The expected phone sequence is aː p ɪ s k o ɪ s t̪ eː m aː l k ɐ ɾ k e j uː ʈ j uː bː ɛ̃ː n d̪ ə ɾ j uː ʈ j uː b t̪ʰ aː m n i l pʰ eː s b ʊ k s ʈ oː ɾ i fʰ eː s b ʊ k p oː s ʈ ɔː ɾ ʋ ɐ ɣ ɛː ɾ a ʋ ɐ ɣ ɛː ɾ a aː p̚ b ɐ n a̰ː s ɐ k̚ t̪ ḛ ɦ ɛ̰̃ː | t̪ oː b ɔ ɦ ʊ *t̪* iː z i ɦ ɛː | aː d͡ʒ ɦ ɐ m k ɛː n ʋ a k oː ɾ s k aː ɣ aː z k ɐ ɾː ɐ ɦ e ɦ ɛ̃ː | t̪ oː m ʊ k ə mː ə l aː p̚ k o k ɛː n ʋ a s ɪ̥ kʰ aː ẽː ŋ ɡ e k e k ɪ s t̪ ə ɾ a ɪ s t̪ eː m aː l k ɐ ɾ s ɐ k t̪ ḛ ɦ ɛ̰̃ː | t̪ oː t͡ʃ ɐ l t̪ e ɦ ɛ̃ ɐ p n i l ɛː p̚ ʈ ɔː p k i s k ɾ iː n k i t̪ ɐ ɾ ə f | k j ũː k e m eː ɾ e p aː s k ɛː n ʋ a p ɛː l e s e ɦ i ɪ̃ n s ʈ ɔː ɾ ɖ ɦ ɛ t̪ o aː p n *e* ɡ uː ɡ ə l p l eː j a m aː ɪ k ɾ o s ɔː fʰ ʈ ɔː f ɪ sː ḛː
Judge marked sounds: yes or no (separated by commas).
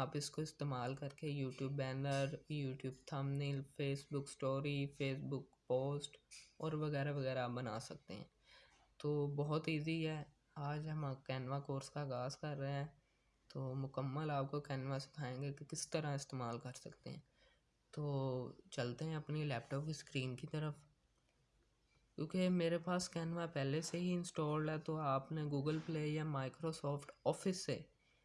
yes, yes